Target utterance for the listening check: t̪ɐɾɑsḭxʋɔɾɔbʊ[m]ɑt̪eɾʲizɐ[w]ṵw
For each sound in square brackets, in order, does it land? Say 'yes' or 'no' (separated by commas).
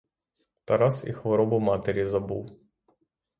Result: yes, no